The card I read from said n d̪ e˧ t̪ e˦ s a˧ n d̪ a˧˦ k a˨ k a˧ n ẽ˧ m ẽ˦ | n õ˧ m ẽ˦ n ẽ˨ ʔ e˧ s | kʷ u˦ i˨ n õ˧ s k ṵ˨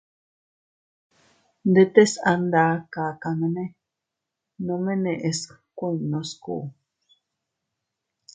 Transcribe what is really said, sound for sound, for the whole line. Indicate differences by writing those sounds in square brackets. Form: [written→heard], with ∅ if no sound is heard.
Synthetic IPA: n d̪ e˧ t̪ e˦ s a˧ n d̪ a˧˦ k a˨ k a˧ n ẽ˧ [m→n] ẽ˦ | n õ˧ m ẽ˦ n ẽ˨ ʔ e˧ s | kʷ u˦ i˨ n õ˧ s k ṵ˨